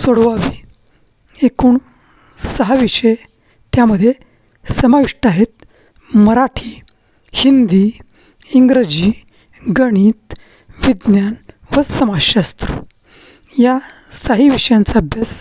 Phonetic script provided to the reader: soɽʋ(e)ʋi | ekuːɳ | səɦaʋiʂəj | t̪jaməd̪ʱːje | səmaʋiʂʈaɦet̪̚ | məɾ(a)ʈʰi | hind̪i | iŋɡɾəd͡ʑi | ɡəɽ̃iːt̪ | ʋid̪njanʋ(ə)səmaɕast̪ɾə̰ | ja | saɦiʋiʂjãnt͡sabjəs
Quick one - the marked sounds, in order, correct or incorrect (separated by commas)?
incorrect, correct, correct